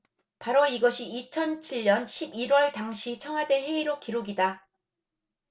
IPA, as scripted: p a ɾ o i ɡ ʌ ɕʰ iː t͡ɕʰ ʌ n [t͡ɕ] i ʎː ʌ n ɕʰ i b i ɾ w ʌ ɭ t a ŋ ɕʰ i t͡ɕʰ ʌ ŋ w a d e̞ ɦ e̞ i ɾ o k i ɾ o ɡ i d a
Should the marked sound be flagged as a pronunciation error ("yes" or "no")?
yes